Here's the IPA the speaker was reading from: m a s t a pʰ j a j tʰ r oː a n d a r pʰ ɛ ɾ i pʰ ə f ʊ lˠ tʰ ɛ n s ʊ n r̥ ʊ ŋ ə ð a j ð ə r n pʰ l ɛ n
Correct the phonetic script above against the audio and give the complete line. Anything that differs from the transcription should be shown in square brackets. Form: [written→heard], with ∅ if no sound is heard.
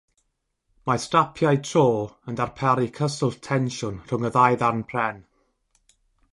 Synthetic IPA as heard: m a s t a pʰ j a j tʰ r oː [a→ə] n d a r pʰ ɛ ɾ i [pʰ→kʰ] ə [f→s] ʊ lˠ tʰ ɛ n [s→ʃ] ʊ n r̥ ʊ ŋ ə ð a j ð [ə→a] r n pʰ [l→r] ɛ n

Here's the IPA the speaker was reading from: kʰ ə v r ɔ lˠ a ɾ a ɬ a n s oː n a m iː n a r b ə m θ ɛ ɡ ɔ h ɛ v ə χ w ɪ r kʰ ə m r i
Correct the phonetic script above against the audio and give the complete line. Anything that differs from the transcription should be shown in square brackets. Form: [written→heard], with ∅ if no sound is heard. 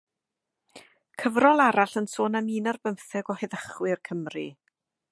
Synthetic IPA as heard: kʰ ə v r ɔ lˠ a ɾ a ɬ [a→ə] n s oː n a m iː n a r b ə m θ ɛ ɡ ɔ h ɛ [v→ð] ə χ w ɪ r kʰ ə m r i

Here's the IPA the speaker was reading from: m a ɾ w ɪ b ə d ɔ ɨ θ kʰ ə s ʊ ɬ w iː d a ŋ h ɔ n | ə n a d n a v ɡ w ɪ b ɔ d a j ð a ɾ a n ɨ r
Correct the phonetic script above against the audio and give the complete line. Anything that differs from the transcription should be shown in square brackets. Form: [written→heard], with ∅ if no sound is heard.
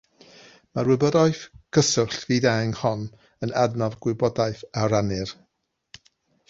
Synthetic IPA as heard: m a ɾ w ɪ b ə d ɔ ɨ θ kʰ ə s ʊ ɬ [w→v] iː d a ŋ h ɔ n | ə n a d n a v ɡ w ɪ b ɔ d a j [ð→θ] a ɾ a n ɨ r

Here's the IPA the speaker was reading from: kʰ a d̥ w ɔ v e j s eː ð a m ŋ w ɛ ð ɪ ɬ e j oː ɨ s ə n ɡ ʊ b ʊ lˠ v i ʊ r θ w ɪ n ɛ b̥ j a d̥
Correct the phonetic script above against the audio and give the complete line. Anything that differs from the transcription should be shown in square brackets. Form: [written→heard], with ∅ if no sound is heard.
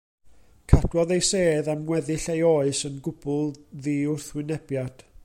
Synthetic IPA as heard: kʰ a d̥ w ɔ [v→ð] e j s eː ð a m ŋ w ɛ ð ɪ ɬ e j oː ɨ s ə n ɡ ʊ b ʊ lˠ [v→ð] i ʊ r θ w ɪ n ɛ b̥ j a d̥

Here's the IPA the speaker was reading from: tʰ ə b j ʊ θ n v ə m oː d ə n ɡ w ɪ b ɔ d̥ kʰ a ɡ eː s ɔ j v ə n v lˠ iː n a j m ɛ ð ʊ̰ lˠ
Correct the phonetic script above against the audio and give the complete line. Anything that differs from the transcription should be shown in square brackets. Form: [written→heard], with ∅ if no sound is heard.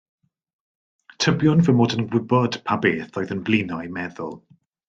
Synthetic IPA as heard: tʰ ə b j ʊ [θ→∅] n v ə m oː d ə n ɡ w ɪ b ɔ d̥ [kʰ→pʰ] a [ɡ→b] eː [s→θ] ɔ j [v→ð] ə n v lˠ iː n a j m ɛ ð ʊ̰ lˠ

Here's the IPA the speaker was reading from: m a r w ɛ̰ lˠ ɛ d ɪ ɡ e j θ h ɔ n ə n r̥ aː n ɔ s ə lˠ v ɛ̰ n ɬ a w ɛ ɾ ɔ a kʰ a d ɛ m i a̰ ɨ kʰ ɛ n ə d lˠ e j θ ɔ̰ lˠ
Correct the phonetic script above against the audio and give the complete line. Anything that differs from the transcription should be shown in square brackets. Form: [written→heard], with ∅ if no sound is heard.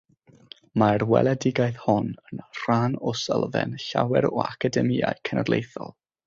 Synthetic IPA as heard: m a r w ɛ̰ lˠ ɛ d ɪ ɡ [e→a] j θ h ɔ n ə n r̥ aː n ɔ s ə lˠ v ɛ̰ n ɬ a w ɛ ɾ ɔ a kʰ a d ɛ m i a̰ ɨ kʰ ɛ n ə d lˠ e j θ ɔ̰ lˠ

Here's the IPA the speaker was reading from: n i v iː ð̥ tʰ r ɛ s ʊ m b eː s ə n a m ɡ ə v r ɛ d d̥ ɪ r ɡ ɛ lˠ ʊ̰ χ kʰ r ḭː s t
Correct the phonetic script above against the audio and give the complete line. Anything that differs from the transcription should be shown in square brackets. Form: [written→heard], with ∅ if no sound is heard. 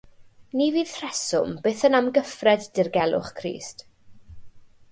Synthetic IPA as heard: n i v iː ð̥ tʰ r ɛ s ʊ m b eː [s→θ] ə n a m ɡ ə [v→f] r ɛ d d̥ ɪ r ɡ ɛ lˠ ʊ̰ χ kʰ r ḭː s t

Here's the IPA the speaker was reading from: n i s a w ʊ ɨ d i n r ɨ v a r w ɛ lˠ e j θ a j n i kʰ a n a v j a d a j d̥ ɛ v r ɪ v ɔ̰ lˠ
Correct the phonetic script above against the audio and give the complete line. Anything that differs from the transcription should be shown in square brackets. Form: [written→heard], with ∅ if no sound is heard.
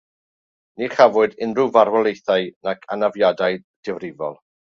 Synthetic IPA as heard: n i [s→χ] a [w→v] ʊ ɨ d [i→ɪ] n r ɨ v a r w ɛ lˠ e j θ a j n [i→a] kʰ a n a v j a d a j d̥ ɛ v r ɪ v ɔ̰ lˠ

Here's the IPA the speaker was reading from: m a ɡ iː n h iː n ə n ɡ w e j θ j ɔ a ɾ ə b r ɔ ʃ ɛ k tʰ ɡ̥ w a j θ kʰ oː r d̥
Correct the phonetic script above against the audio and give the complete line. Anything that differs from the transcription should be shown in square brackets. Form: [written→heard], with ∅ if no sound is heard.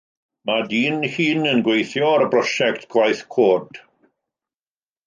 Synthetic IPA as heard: m a [ɡ→d] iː n h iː n ə n ɡ w e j θ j ɔ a ɾ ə b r ɔ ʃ ɛ k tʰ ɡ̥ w a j θ kʰ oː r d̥

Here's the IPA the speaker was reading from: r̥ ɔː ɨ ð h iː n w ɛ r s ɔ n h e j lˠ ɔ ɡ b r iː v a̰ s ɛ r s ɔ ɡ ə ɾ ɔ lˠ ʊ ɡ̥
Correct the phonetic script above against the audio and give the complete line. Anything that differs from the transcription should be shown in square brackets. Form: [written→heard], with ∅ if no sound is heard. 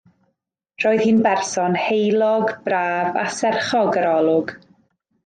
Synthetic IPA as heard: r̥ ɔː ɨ ð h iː n [w→b] ɛ r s ɔ n h e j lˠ ɔ ɡ b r [iː→aː] v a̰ s ɛ r [s→χ] ɔ ɡ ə ɾ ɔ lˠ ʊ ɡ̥

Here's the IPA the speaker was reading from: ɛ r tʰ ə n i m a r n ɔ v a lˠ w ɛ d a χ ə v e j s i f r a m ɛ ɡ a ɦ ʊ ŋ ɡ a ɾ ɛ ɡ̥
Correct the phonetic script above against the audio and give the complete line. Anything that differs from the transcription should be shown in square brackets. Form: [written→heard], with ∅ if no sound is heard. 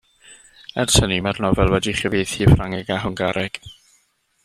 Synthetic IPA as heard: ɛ r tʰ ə n i m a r n ɔ v [a→ɛ] lˠ w ɛ d [a→i] χ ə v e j [s→θ] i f r a [m→ŋ] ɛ ɡ a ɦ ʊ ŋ ɡ a ɾ ɛ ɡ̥

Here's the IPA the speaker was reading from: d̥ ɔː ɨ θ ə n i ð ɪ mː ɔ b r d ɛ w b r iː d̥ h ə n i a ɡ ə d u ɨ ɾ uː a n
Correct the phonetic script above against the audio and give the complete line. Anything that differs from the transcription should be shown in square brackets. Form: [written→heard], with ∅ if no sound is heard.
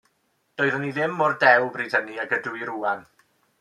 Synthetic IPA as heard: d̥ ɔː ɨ [θ→ð] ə n i ð ɪ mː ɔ [b→∅] r d ɛ w b r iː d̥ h ə n i a ɡ ə d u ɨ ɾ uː a n

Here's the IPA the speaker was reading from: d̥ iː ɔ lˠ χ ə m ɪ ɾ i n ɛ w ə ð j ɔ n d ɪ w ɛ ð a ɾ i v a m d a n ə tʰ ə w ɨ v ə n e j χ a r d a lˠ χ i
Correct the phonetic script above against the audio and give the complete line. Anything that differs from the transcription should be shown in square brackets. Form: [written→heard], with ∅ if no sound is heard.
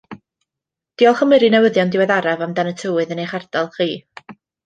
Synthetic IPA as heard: d̥ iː ɔ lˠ χ ə m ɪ ɾ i n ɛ w ə ð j ɔ n d ɪ w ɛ ð a ɾ [i→a] v a m d a n ə tʰ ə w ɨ [v→ð] ə n e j χ a r d a lˠ χ [i→iː]

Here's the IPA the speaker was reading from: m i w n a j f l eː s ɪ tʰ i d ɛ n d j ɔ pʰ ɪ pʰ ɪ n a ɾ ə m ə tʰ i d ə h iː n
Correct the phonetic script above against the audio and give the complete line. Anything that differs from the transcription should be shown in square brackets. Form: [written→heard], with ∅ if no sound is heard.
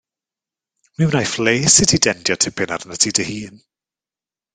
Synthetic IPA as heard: m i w n a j f l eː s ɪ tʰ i d ɛ n d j ɔ [pʰ→tʰ] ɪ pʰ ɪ n a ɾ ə [m→n] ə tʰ i d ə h iː n

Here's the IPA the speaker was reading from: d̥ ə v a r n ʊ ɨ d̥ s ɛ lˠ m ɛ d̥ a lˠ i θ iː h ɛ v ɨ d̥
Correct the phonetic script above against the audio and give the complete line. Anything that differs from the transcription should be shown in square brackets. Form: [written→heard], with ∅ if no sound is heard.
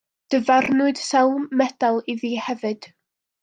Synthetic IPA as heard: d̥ ə v a r n ʊ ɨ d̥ s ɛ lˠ m ɛ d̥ a lˠ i [θ→ð] iː h ɛ v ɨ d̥

